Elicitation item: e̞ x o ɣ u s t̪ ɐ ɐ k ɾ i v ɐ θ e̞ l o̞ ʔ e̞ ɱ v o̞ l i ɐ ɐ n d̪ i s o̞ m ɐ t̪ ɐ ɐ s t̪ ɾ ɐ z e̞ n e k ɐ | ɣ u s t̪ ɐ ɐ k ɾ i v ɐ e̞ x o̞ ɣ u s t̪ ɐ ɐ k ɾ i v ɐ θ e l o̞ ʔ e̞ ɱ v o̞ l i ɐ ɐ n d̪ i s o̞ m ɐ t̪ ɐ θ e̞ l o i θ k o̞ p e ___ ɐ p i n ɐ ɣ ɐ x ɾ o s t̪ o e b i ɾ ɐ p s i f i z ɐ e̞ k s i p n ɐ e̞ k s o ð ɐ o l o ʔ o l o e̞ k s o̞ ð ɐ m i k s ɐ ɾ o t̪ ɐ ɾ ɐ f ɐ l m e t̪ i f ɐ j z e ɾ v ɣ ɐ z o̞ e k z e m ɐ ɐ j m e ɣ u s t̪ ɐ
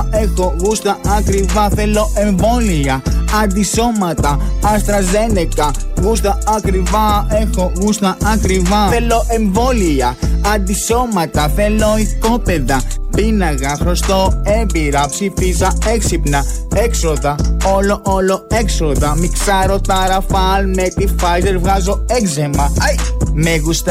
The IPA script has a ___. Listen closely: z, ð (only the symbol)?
ð